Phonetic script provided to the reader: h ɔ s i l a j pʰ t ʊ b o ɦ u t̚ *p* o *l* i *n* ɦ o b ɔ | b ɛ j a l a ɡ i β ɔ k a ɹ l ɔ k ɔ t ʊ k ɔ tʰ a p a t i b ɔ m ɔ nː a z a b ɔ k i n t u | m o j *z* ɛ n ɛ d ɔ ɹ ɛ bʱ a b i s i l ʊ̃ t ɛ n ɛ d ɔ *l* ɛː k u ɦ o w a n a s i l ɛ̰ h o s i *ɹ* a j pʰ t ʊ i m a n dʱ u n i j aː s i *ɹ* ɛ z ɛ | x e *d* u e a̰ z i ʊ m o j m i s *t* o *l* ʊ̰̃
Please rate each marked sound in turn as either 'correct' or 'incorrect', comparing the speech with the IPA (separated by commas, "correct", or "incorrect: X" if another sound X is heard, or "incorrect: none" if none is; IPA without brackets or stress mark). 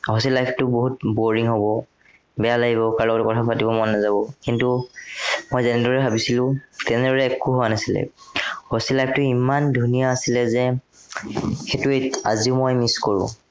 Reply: incorrect: b, incorrect: ɹ, incorrect: ŋ, correct, incorrect: ɹ, incorrect: l, incorrect: l, incorrect: t, incorrect: k, incorrect: ɹ